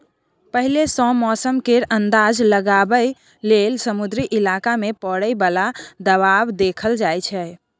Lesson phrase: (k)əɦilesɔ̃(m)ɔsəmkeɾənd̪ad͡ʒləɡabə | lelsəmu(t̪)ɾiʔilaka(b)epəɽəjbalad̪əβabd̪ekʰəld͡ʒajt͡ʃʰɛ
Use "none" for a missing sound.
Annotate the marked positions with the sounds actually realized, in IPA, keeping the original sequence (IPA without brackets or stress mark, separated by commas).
p, m, d̪, m